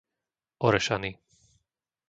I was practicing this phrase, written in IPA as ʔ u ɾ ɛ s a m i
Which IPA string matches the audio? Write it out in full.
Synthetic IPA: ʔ ɔ ɾ ɛ ʃ a n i

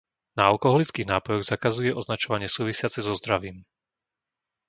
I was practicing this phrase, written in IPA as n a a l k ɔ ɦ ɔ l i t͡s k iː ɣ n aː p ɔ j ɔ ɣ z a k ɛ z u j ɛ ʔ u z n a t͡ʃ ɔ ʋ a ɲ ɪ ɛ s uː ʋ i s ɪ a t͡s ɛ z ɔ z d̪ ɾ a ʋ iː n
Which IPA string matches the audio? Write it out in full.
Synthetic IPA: n a a l k ɔ ɦ ɔ l i t͡s k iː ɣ n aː p ɔ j ɔ ɣ z a k a z u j ɛ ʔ ɔ z n a t͡ʃ ɔ ʋ a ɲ ɪ ɛ s uː ʋ i s ɪ a t͡s ɛ z ɔ z d̪ ɾ a ʋ iː m

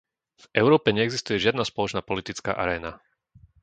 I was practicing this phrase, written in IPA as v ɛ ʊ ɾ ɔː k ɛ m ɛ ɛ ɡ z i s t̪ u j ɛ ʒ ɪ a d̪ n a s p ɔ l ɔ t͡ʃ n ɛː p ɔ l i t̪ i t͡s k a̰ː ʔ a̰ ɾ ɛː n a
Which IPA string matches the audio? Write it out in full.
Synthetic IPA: v ɛ ʊ ɾ ɔː p ɛ ɲ ɛ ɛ ɡ z i s t̪ u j ɛ ʒ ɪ a d̪ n a s p ɔ l ɔ t͡ʃ n aː p ɔ l i t̪ i t͡s k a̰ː ʔ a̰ ɾ ɛː n a

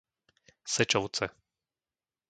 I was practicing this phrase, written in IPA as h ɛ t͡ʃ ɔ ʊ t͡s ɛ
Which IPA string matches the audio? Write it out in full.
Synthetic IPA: s ɛ t͡ʃ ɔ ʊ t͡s ɛ

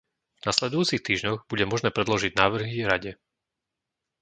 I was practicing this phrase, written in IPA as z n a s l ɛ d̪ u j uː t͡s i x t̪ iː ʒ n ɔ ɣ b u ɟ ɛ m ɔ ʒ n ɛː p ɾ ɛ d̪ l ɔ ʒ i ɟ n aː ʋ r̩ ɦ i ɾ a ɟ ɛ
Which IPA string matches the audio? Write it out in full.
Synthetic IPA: v n a s l ɛ d̪ u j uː t͡s i x t̪ iː ʒ ɲ ɔ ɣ b u ɟ ɛ m ɔ ʒ n ɛː p ɾ ɛ d̪ l ɔ ʒ i ɟ n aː ʋ r̩ ɦ i ɾ a ɟ ɛ

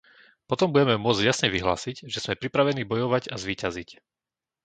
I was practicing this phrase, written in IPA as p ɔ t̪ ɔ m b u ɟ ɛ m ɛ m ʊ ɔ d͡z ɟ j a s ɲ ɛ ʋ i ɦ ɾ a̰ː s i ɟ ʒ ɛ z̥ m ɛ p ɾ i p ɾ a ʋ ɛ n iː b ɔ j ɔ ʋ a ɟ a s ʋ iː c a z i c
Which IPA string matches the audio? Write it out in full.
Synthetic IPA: p ɔ t̪ ɔ m b u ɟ ɛ m ɛ m ʊ ɔ d͡z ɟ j a s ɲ ɛ ʋ i ɦ l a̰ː s i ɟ ʒ ɛ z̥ m ɛ p ɾ i p ɾ a ʋ ɛ n iː b ɔ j ɔ ʋ a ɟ a z ʋ iː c a z i c

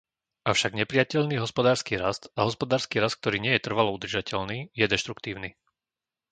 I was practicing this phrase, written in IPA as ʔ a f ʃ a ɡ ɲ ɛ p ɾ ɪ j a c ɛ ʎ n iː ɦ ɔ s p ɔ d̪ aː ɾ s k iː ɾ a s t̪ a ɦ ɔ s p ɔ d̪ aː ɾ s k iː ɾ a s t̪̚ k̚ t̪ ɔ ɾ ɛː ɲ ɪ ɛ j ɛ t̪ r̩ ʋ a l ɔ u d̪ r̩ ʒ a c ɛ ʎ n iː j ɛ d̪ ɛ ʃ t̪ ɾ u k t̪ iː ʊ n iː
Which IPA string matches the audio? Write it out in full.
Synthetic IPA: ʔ a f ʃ a ɡ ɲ ɛ p ɾ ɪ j a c ɛ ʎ n iː ɦ ɔ s p ɔ d̪ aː ɾ s k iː ɾ a s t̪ a ɦ ɔ s p ɔ d̪ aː ɾ s k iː ɾ a s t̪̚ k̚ t̪ ɔ ɾ iː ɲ ɪ ɛ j ɛ t̪ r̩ ʋ a l ɔ u d̪ r̩ ʒ a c ɛ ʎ n iː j ɛ d̪ ɛ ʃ t̪ ɾ u k t̪ iː ʊ n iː

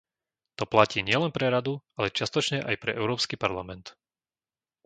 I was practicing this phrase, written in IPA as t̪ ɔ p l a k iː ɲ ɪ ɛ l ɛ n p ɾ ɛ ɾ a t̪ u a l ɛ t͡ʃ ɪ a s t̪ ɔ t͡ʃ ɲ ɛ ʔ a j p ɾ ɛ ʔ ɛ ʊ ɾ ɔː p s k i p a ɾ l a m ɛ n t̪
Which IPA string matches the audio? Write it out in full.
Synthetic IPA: t̪ ɔ p l a c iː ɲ ɪ ɛ l ɛ n p ɾ ɛ ɾ a d̪ u a l ɛ t͡ʃ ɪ a s t̪ ɔ t͡ʃ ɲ ɛ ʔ a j p ɾ ɛ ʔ ɛ ʊ ɾ ɔː p s k i p a ɾ l a m ɛ n t̪

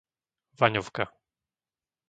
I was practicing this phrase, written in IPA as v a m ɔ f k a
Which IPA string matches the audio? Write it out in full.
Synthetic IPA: v a ɲ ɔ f k a

